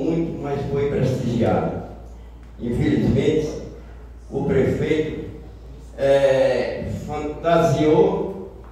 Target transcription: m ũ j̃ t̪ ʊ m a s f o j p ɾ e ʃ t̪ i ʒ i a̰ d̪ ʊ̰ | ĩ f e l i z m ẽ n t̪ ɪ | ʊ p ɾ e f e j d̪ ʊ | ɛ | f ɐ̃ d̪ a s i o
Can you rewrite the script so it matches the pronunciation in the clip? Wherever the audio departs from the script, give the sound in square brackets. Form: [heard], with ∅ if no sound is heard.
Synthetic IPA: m ũ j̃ t̪ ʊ m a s f o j p ɾ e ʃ t̪ i ʒ i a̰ d̪ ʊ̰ | ĩ f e l i z m ẽ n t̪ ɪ | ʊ p ɾ e f e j [t̪] ʊ | ɛ | f ɐ̃ [t̪] a [z] i o